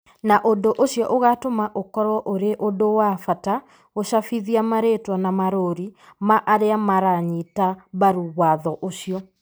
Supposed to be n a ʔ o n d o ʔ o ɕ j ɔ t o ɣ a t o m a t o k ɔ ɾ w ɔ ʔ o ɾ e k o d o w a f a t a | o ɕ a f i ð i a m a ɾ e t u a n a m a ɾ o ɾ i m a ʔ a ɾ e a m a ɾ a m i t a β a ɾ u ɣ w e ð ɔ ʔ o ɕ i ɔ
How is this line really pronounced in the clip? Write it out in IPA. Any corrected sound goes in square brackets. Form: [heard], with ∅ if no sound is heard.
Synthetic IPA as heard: n a ʔ o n d o ʔ o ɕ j ɔ [ʔ] o ɣ a t o m a [ʔ] o k ɔ ɾ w ɔ ʔ o ɾ e [ʔ] o d o w a f a t a | o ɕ a f i ð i a m a ɾ e t [w] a n a m a ɾ o ɾ i m a ʔ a ɾ e a m a ɾ a [ɲ] i t a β a ɾ u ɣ w [a] ð ɔ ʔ o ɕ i ɔ

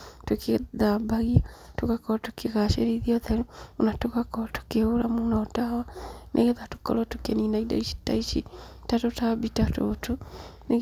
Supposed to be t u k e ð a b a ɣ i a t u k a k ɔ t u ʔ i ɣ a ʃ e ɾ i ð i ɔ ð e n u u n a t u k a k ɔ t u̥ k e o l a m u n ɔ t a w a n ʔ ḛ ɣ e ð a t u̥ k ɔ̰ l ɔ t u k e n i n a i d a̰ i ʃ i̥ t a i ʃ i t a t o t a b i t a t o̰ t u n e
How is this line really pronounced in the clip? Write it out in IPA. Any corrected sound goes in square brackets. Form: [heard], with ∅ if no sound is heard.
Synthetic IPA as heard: t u k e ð a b a ɣ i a t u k a k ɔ t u [k] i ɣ a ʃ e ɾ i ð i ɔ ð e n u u n a t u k a k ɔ t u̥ k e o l a m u n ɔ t a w a n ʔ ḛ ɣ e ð a t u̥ k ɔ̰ l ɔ t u k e n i n a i d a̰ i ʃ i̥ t a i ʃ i t a t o t a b i t a t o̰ t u n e

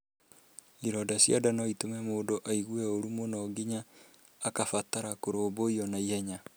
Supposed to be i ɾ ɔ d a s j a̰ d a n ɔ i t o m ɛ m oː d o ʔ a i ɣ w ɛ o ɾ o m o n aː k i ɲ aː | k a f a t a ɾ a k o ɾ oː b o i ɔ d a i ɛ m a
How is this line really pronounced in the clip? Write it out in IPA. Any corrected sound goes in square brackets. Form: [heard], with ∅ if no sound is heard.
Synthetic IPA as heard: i ɾ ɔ d a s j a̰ d a n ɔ i t o m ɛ m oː d o ʔ a i ɣ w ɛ o ɾ [u] m o n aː [ɡ] i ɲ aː | k a f a t a ɾ a k o ɾ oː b o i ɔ [n] a i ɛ [ɲ] a

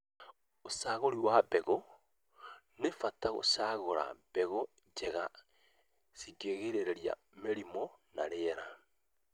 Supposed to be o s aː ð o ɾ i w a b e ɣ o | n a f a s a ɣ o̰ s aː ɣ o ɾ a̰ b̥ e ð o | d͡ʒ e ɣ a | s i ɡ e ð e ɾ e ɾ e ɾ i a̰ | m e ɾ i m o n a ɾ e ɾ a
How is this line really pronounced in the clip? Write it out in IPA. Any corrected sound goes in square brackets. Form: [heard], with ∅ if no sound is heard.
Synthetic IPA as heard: o s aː [ɣ] o ɾ i w a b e ɣ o | n [e] f a [t] a ɣ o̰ s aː ɣ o ɾ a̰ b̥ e [ɣ] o | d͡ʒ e ɣ a | s i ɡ e [ɣ] e ɾ e ɾ e ɾ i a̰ | m e ɾ i m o n a ɾ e ɾ a

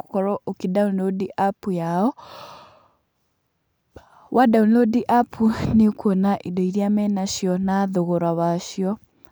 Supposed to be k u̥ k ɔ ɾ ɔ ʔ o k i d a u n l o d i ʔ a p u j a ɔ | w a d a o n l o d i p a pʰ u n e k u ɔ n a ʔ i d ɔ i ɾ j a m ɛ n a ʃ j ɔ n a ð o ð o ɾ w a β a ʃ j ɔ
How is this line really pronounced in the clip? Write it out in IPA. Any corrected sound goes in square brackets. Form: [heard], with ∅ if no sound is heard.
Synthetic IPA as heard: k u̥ k ɔ ɾ ɔ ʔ o k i d a u n l o d i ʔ a p u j a ɔ | w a d a [u] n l o d i [ʔ] a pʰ u n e k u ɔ n a ʔ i d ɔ i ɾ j a m ɛ n a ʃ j ɔ n a ð o [ɣ] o ɾ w a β a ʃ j ɔ

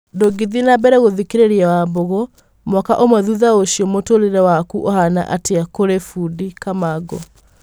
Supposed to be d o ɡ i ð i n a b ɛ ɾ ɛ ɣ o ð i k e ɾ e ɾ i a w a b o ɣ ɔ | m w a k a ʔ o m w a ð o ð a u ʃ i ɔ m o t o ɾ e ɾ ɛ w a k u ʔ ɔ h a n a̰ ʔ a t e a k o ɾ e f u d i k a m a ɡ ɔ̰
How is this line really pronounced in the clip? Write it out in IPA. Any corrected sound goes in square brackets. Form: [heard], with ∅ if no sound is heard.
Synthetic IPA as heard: d o ɡ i ð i n a b ɛ ɾ ɛ ɣ o ð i k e ɾ e ɾ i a w a b o ɣ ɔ | m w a k a ʔ o m w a ð [u] ð a [o] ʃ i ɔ m o t o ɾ e ɾ ɛ w a k u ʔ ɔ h a n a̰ ʔ a t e a k o ɾ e f u d i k a m a ɡ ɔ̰

